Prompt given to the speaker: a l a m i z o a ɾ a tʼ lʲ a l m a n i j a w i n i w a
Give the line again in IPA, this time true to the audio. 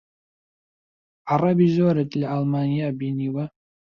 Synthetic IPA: a r a b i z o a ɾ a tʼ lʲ a l m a n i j a b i n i w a